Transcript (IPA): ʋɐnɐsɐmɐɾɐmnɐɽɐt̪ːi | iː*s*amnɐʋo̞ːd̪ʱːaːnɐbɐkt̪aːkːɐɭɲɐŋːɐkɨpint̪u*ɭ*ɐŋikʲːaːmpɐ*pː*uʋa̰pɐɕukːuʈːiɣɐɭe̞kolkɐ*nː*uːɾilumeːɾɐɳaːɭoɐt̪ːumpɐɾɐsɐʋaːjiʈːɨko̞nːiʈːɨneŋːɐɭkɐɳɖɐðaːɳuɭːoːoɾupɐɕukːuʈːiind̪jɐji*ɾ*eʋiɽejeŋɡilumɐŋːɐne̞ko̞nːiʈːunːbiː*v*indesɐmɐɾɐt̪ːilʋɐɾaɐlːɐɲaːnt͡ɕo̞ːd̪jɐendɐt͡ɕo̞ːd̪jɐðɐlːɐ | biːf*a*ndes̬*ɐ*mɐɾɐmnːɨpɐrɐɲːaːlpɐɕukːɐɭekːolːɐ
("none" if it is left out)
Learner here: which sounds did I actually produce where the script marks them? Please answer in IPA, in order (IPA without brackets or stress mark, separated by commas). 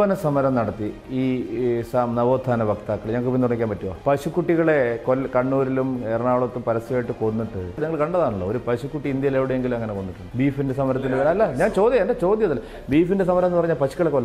s, ɽ, tː, ɳː, l, f, i, ɐ